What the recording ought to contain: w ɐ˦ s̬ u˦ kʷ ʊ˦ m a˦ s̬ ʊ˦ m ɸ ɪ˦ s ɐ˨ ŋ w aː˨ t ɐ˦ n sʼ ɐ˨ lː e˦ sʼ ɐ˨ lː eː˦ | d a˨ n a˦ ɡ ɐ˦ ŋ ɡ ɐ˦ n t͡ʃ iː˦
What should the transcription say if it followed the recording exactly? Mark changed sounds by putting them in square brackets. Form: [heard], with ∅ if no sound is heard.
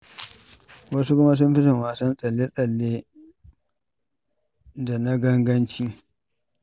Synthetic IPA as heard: w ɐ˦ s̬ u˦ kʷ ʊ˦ m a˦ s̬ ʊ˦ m ɸ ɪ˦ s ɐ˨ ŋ w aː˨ [s] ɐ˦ n sʼ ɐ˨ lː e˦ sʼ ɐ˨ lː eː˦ | d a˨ n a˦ ɡ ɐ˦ ŋ ɡ ɐ˦ n t͡ʃ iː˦